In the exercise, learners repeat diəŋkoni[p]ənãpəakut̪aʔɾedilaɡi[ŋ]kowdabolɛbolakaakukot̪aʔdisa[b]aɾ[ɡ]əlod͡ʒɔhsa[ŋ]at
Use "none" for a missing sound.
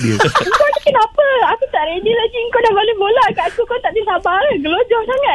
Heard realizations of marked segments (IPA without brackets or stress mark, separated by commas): k, ŋ, b, ɡ, ŋ